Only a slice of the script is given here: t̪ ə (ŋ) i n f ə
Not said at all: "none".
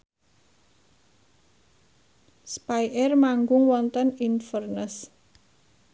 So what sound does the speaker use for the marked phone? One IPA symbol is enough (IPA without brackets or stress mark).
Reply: n